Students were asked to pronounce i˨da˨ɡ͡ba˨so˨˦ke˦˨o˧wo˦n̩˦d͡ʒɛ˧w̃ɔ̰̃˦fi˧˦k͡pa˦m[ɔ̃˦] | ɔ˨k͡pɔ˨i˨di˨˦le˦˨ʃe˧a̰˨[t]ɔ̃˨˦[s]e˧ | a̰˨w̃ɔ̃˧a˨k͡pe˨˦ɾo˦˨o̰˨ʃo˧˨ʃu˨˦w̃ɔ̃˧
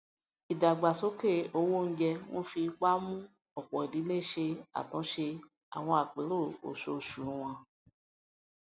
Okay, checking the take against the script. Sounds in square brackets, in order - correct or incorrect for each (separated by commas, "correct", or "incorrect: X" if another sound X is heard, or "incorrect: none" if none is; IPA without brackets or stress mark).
incorrect: ũ˦, correct, incorrect: ʃ